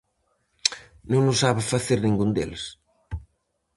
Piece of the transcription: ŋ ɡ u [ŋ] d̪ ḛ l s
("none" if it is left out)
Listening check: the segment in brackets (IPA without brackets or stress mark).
n